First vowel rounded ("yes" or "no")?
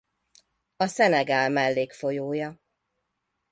yes